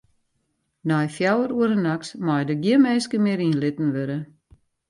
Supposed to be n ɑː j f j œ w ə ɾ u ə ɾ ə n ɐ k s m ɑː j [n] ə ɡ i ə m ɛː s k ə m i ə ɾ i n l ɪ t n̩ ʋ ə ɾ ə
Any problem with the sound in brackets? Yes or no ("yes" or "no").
yes